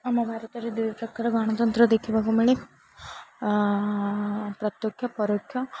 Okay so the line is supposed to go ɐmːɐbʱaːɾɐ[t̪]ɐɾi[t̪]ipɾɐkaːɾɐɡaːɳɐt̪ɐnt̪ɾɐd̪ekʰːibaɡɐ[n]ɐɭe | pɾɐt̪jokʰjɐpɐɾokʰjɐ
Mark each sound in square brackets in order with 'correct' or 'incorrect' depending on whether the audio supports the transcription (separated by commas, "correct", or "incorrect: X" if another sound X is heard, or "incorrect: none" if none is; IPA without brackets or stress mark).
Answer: correct, incorrect: d̪, incorrect: m